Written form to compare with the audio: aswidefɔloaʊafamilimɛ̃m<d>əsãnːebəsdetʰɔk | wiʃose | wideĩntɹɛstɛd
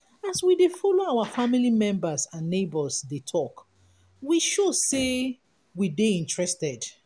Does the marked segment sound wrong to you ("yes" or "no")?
yes